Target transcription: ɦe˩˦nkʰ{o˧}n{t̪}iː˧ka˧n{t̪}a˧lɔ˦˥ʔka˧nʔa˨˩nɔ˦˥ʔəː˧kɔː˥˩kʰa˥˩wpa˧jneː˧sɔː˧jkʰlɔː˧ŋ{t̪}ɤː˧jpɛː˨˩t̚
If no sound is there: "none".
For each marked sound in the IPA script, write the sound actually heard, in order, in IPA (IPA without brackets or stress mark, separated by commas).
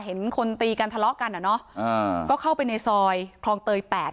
o˧, t̪, t̪ʰ, t̪